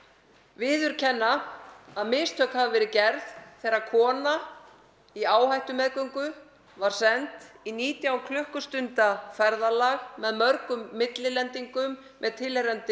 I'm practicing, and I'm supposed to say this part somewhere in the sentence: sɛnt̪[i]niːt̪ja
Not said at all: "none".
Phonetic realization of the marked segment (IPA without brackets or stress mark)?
i